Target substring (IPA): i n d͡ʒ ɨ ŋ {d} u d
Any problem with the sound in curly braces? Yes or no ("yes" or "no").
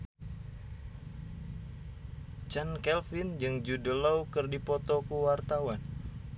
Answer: yes